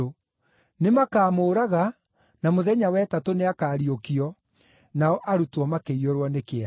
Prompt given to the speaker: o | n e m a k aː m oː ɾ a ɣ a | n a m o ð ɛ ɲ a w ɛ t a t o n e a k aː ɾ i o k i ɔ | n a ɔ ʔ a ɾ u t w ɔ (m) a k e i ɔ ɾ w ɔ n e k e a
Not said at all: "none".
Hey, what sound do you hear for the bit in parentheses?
m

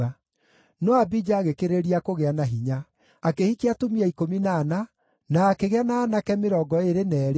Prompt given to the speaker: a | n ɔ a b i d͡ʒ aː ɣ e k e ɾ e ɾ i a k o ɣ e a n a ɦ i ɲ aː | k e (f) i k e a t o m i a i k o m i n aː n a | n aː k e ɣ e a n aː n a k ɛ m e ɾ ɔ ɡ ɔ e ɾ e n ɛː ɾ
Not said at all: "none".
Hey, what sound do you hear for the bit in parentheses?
h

